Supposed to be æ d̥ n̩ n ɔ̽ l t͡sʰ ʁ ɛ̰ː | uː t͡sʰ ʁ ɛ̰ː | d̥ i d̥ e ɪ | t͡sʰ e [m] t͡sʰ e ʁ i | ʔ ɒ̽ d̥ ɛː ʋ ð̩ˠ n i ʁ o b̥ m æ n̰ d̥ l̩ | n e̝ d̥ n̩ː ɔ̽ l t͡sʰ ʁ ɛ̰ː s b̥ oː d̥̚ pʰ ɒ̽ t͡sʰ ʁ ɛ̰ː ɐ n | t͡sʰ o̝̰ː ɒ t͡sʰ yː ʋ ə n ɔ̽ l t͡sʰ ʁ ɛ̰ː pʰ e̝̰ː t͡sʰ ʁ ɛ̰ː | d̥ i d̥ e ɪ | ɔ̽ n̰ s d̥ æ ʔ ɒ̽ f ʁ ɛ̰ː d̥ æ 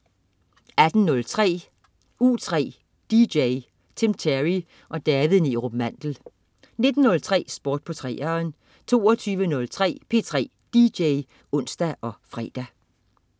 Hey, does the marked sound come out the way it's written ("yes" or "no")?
yes